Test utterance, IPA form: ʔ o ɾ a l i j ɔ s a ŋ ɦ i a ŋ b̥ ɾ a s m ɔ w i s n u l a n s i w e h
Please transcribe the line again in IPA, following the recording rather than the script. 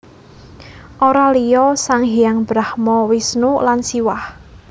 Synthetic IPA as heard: ʔ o ɾ a l i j ɔ s a ŋ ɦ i a ŋ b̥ ɾ a h m ɔ w i s n u l a n s i w a h

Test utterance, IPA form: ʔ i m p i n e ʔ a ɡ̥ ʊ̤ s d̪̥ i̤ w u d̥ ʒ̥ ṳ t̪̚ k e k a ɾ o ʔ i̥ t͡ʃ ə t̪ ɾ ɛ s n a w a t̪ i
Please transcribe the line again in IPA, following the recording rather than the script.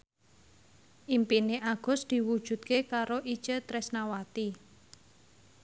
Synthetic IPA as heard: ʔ i m p i n e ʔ a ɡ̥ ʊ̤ s d̪̥ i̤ w u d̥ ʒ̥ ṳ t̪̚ k e k a ɾ o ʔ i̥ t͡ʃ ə t̪ ɾ ɛ s n a w a t̪ i

